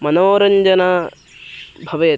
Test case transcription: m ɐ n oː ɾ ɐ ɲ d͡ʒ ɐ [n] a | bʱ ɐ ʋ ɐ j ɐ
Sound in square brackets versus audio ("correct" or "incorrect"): correct